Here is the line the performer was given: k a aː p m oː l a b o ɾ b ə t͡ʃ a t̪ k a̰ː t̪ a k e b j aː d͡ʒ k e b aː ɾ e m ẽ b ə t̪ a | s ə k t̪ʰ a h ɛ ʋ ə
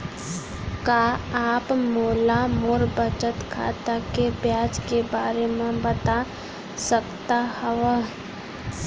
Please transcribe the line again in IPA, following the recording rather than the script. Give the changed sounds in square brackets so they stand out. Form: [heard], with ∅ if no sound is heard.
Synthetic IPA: k a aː p m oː l a [m] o ɾ b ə t͡ʃ [ə] t̪ [kʰ] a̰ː t̪ a k e b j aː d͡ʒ k e b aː ɾ e m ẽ b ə t̪ a | s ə k [t̪] a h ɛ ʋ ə